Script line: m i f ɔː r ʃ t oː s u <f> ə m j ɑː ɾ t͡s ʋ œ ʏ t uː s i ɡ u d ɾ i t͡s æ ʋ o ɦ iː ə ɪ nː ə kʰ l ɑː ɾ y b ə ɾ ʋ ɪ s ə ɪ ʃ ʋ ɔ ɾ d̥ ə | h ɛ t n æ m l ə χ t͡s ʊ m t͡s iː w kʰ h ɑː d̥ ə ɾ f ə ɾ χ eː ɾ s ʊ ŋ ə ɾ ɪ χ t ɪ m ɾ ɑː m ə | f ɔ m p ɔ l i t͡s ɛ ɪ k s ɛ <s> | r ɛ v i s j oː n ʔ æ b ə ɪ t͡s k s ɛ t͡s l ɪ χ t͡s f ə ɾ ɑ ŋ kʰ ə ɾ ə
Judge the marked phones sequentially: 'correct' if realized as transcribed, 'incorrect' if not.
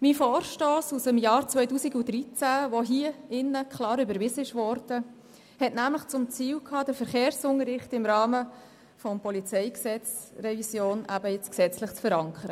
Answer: incorrect: s, incorrect: t͡s

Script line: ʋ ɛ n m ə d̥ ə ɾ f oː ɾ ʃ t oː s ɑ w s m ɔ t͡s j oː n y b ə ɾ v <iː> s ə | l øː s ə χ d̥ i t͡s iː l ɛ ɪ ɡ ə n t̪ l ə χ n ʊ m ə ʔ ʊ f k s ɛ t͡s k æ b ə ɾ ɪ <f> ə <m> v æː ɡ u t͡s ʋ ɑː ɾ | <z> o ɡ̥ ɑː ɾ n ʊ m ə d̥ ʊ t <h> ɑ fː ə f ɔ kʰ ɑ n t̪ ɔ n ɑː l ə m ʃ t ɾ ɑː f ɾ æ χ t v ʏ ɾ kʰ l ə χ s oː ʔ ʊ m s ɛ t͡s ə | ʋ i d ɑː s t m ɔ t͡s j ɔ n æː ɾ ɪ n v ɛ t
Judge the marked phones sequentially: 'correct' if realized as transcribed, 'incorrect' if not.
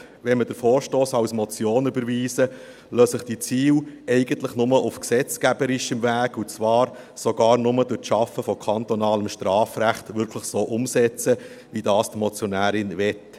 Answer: correct, incorrect: ʃ, correct, incorrect: s, incorrect: ʃ

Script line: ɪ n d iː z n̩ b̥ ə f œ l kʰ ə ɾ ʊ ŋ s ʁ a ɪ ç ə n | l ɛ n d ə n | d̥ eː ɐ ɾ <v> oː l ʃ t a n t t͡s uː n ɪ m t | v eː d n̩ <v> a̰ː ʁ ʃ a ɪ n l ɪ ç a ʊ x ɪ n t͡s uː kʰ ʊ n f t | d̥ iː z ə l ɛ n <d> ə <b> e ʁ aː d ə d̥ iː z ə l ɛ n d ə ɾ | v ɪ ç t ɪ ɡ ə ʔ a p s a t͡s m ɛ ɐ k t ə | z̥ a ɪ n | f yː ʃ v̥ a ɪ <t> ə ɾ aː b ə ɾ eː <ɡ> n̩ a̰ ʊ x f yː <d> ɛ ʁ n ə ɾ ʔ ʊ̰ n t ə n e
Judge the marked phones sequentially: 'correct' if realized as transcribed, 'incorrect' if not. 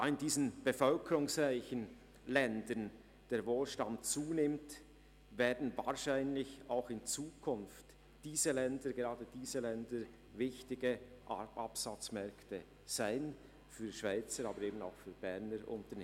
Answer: correct, correct, correct, incorrect: ɡ, incorrect: t͡s, incorrect: b, incorrect: b

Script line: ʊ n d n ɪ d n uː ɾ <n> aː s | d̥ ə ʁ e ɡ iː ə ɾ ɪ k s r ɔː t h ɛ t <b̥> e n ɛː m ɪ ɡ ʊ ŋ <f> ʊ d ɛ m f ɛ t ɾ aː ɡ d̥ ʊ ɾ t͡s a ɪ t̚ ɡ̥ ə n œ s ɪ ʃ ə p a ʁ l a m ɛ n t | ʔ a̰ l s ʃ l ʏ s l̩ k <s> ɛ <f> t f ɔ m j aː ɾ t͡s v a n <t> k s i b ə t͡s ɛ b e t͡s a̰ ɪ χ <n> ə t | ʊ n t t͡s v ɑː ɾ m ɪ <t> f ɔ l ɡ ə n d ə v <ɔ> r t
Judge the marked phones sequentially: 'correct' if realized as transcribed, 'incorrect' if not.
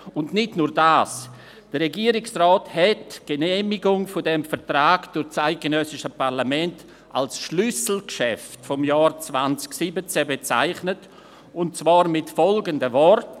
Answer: incorrect: d, incorrect: ɡ̥, correct, incorrect: ʃ, correct, incorrect: t͡s, correct, correct, correct

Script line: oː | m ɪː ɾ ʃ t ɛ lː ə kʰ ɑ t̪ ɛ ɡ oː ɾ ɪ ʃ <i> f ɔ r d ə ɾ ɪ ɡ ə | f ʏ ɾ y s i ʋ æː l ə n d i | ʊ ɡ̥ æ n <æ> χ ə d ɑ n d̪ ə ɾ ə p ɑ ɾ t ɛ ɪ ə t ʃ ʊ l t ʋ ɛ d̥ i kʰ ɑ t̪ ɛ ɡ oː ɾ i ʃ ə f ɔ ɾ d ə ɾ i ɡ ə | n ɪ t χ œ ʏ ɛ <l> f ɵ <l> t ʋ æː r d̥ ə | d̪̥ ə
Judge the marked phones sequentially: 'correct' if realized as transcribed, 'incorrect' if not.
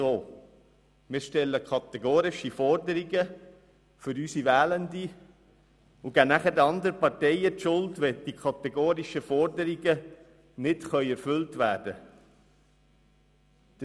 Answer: correct, correct, incorrect: ɾ, correct

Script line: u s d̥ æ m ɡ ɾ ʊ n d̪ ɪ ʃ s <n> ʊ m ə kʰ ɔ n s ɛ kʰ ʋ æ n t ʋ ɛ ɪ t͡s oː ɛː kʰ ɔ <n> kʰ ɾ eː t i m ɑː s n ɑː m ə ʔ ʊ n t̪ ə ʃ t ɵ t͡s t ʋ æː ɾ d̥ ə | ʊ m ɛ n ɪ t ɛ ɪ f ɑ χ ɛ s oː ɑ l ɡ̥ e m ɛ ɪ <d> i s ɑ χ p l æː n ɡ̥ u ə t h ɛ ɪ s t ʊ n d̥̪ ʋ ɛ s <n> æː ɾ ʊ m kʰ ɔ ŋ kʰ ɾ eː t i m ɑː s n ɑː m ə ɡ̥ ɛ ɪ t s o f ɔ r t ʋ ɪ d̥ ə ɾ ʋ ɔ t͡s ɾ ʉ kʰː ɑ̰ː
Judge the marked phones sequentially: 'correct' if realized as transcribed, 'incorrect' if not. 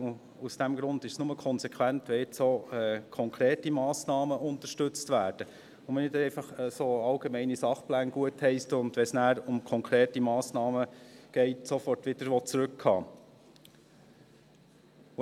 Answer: correct, incorrect: ŋ, incorrect: n, correct

